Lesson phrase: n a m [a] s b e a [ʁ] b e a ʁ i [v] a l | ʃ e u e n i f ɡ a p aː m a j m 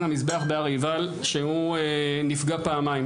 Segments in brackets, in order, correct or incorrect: incorrect: i, incorrect: χ, correct

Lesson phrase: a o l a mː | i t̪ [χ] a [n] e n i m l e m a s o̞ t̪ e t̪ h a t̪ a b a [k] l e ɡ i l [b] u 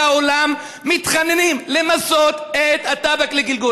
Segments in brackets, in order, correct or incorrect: correct, correct, correct, incorrect: ɡ

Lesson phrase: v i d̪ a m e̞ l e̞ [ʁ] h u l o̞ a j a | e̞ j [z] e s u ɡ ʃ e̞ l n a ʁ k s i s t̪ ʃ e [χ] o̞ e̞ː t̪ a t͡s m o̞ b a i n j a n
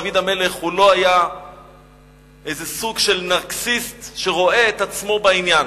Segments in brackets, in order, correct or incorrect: incorrect: χ, correct, incorrect: ʁ

